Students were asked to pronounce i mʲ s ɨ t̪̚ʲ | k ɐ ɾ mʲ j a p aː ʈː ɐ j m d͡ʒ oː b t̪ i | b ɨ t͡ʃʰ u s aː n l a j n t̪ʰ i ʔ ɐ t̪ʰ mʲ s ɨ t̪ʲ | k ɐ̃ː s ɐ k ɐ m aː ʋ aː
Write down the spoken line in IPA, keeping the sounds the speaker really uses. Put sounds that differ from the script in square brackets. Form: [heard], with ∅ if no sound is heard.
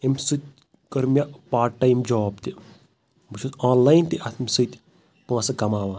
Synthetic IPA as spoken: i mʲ s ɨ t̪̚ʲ | k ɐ ɾ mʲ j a p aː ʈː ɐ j m d͡ʒ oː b t̪ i | b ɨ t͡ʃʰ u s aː n l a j n [t̪] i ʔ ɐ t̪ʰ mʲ s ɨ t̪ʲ | [p] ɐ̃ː s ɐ k ɐ m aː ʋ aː